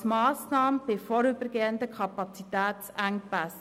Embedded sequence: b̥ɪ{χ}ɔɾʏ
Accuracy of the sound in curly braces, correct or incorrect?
incorrect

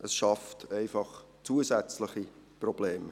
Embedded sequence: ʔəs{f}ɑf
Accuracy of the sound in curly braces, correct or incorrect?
incorrect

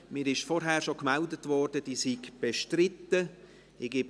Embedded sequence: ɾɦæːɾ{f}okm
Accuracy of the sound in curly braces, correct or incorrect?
incorrect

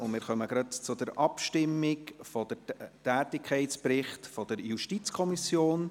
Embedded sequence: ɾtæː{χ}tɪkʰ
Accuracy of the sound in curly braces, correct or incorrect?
incorrect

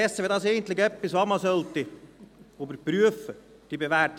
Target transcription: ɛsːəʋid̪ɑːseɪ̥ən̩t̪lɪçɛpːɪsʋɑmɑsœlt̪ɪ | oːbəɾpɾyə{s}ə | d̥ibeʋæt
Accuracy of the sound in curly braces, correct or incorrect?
incorrect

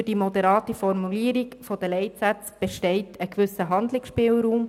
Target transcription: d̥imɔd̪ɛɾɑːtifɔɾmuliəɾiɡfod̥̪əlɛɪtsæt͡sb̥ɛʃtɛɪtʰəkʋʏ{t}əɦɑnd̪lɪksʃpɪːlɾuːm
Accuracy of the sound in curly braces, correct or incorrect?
incorrect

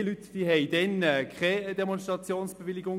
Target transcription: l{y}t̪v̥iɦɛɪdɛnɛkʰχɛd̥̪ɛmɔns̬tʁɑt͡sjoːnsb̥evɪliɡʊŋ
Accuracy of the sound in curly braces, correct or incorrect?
correct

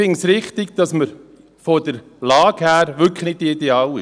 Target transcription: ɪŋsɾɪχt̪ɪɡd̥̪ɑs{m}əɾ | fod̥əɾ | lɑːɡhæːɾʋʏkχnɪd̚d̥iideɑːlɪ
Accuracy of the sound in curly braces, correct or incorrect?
correct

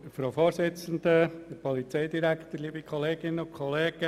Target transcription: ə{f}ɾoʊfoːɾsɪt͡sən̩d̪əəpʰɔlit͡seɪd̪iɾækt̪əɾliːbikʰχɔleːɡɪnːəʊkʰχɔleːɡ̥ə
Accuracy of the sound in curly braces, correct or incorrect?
correct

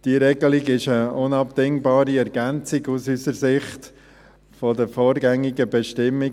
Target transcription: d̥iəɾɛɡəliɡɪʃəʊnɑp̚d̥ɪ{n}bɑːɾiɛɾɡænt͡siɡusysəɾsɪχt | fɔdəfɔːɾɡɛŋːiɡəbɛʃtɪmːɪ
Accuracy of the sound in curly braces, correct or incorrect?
incorrect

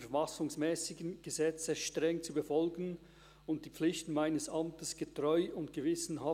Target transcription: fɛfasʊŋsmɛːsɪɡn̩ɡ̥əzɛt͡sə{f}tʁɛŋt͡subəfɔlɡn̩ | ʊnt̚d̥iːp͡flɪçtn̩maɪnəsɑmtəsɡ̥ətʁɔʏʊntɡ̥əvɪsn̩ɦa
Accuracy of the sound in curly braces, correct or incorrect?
incorrect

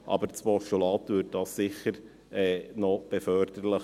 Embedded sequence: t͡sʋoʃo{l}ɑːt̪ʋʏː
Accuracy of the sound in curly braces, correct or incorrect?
correct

